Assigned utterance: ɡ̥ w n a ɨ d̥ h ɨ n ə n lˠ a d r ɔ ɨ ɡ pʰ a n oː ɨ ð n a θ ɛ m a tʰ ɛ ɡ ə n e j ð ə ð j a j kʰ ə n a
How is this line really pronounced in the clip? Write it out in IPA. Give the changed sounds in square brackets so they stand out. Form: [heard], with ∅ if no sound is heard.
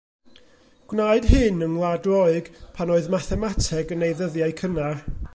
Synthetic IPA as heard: ɡ̥ w n a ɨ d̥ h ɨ n ə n lˠ a d r ɔ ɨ ɡ pʰ a n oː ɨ ð [m] a θ ɛ m a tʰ ɛ ɡ ə n e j ð ə ð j a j kʰ ə n a

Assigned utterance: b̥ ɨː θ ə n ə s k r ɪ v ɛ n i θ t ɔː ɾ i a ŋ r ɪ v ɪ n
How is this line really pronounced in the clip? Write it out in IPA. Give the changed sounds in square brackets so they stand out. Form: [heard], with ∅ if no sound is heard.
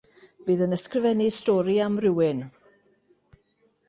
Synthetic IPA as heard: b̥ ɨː [ð] ə n ə s k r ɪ v ɛ n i [s] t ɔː ɾ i a [m] r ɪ [w] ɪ n

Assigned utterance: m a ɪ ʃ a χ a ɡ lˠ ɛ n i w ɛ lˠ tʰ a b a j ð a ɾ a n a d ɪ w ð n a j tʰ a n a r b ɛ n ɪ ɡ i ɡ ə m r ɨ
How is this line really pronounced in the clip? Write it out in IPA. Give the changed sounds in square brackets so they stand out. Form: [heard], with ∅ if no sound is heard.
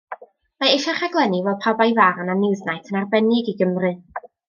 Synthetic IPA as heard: m a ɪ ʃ a χ a ɡ lˠ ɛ n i [v] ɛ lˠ [pʰ] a b a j [v] a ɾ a n a [n] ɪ w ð n a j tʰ [ə] n a r b ɛ n ɪ ɡ i ɡ ə m r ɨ

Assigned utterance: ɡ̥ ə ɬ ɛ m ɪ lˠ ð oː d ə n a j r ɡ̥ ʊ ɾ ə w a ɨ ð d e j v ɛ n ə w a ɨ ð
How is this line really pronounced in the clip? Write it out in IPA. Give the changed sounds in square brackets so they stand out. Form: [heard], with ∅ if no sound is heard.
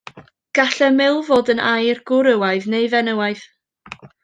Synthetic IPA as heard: ɡ̥ [a] ɬ ɛ m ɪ lˠ [v] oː d ə n a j r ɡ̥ ʊ ɾ ə w a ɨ ð [n] e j v ɛ n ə w a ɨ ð

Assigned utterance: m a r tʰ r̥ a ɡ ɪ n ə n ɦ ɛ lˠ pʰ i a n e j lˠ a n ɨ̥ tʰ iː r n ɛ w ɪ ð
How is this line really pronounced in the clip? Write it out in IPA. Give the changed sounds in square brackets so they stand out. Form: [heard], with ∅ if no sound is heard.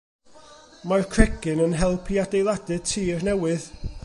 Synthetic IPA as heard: m a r [kʰ] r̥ [ɛ] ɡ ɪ n ə n ɦ ɛ lˠ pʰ i a [d] e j lˠ a [d] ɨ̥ tʰ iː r n ɛ w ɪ ð

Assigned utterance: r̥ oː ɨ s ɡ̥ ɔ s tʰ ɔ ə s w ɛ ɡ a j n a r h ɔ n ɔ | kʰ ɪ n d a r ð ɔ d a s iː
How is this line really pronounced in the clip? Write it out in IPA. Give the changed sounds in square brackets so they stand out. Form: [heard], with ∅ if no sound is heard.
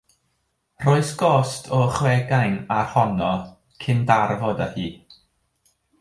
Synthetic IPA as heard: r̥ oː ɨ s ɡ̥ ɔ s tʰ ɔ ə [χ] w ɛ ɡ a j n a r h ɔ n ɔ | kʰ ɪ n d a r [v] ɔ d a [h] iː

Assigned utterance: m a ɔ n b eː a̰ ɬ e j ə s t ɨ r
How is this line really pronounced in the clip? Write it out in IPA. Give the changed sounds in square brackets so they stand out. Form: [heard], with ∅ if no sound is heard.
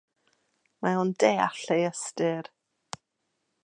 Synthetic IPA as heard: m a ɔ n [d] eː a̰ ɬ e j ə s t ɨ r

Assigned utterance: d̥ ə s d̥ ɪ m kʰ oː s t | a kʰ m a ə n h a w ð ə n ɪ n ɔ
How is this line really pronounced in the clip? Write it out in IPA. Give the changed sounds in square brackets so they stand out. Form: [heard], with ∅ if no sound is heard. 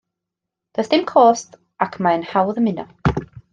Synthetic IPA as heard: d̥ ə s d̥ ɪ m kʰ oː s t | a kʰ m a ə n h a w ð ə [m] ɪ n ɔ

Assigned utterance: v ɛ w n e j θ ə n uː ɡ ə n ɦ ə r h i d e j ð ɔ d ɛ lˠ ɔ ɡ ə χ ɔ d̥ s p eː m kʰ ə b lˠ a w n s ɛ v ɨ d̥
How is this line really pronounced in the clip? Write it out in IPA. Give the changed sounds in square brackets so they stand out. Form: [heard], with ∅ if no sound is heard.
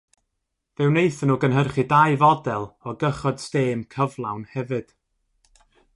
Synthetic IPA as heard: v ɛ w n e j θ ə n uː ɡ ə n ɦ ə r [χ] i d [a] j [v] ɔ d ɛ lˠ ɔ ɡ ə χ ɔ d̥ s [t] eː m kʰ ə [v] lˠ a w n [h] ɛ v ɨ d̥

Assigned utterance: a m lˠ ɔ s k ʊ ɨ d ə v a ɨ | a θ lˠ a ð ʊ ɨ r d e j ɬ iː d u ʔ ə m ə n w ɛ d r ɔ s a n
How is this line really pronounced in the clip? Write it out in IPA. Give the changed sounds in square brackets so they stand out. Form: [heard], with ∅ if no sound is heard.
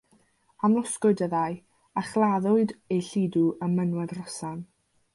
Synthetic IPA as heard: a m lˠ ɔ s k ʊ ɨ d ə [ð] a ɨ | a [χ] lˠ a ð ʊ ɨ [∅] d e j ɬ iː d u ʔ ə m ə n w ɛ d r ɔ s a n

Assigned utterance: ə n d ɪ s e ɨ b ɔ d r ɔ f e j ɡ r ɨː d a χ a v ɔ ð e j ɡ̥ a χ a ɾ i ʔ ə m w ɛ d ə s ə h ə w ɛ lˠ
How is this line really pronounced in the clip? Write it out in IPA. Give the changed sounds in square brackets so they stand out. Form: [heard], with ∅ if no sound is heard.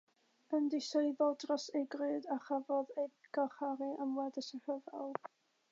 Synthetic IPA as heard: ə n d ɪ s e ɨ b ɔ d r ɔ [s] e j ɡ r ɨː d a χ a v ɔ ð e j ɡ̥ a χ a ɾ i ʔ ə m w ɛ d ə s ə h ə [v] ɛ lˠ

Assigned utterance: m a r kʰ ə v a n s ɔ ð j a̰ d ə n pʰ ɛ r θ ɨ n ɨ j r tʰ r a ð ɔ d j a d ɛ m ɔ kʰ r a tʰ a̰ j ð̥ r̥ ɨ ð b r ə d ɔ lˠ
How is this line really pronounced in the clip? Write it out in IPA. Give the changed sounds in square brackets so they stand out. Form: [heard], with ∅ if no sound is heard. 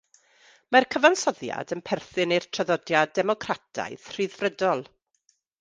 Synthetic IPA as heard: m a r kʰ ə v a n s ɔ ð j a̰ d ə n pʰ ɛ r θ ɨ n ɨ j r tʰ r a ð ɔ d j a d ɛ m ɔ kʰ r a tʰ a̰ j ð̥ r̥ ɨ ð [v] r ə d ɔ lˠ

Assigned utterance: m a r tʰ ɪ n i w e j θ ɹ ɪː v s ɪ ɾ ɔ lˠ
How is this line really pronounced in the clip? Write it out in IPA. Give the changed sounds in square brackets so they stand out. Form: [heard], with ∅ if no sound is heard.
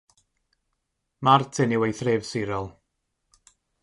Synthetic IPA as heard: m a r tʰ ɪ n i w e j θ [r] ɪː v s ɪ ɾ ɔ lˠ

